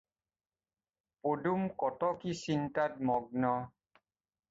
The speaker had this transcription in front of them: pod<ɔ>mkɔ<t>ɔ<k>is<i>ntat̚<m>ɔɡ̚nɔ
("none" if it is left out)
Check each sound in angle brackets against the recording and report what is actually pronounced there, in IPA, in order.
u, t, k, i, m

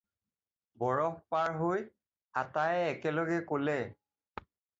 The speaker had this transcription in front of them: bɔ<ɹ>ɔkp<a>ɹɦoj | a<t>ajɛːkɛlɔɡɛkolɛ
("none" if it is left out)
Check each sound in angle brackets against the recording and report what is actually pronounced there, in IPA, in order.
ɹ, a, t

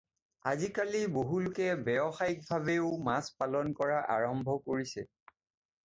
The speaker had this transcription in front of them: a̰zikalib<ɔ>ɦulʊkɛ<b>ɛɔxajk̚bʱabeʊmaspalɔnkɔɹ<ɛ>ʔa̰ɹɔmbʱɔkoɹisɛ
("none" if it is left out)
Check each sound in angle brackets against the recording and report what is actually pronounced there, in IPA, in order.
o, b, a

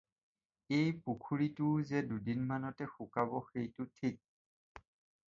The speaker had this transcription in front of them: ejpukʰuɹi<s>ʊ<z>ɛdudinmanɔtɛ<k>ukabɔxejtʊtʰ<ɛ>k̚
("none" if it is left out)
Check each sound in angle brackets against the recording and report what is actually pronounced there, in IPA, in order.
t, z, x, i

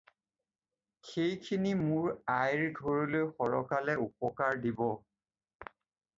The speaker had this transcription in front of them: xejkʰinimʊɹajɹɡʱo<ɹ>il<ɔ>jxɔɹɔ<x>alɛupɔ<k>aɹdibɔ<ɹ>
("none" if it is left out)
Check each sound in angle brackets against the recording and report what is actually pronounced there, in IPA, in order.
ɹ, o, k, k, none

